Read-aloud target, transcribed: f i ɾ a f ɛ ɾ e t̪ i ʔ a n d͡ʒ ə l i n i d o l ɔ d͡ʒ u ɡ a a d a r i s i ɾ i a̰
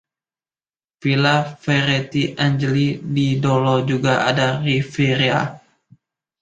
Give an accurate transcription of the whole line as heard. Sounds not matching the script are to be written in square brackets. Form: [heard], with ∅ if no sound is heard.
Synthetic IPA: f i [l] a f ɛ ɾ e t̪ i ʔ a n d͡ʒ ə l i [d] i d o l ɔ d͡ʒ u ɡ a a d a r i [f] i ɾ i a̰